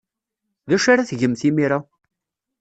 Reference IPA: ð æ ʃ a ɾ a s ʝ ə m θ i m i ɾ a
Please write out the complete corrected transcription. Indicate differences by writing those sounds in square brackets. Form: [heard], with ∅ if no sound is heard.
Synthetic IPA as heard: ð æ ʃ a ɾ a [θ] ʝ ə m θ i m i ɾ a